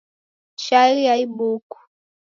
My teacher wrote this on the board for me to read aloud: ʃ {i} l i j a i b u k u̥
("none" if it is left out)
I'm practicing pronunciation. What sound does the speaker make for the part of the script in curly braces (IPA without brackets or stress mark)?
a